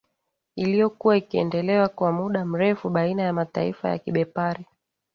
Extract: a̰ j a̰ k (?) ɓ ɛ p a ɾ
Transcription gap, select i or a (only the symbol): i